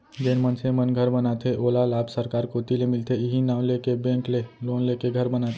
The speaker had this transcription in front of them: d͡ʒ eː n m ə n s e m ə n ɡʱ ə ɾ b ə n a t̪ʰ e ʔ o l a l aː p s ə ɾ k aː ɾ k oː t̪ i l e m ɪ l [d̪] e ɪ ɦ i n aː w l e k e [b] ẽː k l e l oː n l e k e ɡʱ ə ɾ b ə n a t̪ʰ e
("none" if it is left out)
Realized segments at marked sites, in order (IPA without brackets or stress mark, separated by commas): t̪, b